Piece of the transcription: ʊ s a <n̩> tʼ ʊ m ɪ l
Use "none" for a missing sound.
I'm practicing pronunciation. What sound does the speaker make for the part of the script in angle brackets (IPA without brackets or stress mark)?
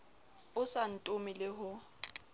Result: n̩